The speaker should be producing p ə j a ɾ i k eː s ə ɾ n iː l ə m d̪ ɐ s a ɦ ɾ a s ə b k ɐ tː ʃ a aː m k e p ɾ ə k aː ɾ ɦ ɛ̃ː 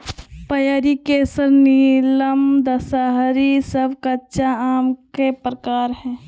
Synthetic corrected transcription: p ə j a ɾ i k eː s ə ɾ n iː l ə m d̪ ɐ s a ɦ ɾ i s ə b k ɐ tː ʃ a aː m k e p ɾ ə k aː ɾ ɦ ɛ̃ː